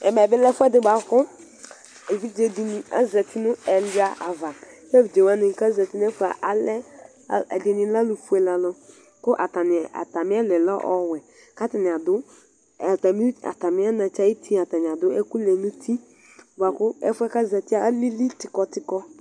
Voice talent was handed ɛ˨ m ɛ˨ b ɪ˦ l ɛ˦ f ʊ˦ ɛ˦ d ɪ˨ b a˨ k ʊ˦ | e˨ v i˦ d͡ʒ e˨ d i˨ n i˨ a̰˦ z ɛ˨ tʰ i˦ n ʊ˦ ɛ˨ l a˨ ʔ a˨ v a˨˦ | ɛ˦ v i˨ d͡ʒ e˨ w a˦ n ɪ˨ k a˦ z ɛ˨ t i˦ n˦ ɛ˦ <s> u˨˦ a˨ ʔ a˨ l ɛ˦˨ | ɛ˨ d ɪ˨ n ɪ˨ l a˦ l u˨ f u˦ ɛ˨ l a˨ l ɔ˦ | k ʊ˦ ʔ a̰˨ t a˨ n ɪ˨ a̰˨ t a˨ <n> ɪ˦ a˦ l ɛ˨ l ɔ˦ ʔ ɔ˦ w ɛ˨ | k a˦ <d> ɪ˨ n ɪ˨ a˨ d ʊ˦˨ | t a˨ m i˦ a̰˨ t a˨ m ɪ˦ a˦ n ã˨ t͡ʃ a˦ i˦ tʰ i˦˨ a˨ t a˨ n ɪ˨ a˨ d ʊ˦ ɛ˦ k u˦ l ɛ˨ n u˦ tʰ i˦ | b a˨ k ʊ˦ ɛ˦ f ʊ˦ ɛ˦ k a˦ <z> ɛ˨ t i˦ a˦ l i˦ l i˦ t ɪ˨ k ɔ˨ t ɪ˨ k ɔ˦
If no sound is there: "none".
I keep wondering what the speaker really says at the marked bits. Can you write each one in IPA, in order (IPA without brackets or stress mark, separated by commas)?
f, m, t, z